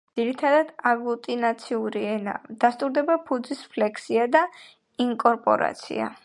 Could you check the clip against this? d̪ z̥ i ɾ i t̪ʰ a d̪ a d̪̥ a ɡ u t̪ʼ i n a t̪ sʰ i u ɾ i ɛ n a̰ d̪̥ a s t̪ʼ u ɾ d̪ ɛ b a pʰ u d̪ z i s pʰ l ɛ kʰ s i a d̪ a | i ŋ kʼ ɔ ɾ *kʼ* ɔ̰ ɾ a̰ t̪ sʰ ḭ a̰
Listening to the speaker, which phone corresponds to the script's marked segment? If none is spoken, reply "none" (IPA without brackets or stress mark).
pʼ